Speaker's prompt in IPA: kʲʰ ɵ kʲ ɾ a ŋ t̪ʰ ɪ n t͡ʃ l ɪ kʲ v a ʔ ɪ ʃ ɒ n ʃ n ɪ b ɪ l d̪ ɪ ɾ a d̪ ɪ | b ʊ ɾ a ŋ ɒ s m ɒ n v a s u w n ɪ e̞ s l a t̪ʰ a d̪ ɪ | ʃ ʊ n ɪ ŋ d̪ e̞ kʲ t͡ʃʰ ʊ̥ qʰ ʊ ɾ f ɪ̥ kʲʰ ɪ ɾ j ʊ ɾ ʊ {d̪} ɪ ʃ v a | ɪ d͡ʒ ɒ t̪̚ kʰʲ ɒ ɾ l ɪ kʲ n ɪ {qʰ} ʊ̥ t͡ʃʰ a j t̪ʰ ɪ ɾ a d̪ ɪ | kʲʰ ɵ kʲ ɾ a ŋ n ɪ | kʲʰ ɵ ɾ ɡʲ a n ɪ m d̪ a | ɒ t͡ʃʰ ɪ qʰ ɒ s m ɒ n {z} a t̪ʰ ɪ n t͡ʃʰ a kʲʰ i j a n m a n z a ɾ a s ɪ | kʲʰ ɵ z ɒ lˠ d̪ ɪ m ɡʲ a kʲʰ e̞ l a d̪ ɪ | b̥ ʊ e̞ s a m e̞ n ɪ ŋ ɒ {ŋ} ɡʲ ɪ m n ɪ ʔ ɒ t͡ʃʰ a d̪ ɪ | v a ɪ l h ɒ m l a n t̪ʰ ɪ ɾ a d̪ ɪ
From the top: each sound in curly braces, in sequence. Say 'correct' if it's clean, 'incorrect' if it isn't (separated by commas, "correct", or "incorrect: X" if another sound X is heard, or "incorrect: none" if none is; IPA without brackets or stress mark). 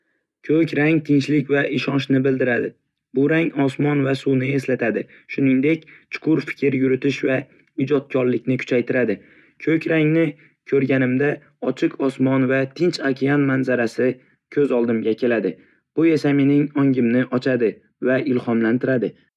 incorrect: t̪, incorrect: kʰ, incorrect: v, correct